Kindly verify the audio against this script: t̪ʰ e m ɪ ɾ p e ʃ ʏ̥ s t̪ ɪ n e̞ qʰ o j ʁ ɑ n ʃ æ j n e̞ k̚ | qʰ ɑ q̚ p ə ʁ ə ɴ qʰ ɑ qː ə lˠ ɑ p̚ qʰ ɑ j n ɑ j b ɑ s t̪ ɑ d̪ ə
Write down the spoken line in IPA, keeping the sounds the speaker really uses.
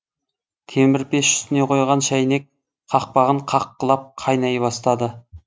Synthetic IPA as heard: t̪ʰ e m ɪ ɾ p e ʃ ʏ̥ s t̪ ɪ n e̞ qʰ o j ʁ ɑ n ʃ æ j n e̞ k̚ | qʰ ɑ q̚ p ɑ ʁ ə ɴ qʰ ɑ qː ə lˠ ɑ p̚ qʰ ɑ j n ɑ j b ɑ s t̪ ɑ d̪ ə